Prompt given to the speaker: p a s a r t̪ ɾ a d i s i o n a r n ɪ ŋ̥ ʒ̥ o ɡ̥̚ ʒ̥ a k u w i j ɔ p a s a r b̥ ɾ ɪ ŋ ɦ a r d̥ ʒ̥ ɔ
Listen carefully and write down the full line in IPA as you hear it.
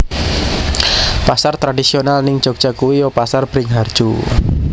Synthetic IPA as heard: p a s a r t̪ ɾ a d i s i o n a l n ɪ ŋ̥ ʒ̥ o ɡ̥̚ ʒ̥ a k u w i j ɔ p a s a r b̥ ɾ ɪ ŋ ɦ a r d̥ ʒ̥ u